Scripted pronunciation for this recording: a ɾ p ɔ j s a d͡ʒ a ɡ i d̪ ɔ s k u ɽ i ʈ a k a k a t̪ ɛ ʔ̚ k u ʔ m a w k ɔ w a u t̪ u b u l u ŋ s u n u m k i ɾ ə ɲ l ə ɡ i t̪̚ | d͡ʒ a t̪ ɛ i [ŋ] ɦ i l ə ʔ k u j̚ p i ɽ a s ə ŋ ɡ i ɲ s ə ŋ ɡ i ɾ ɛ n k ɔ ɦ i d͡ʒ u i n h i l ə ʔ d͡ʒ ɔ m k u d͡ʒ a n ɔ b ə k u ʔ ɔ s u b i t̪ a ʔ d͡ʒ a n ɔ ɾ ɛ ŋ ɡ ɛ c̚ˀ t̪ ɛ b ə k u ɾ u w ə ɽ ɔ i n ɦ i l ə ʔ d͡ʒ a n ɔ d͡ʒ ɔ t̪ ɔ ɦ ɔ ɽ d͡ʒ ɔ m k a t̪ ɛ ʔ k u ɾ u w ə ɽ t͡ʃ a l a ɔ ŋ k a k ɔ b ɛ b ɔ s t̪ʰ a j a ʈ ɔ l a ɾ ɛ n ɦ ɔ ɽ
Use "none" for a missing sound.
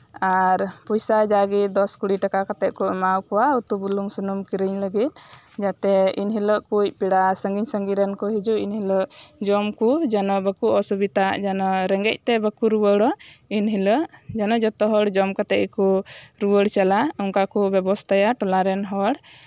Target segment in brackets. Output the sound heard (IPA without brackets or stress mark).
n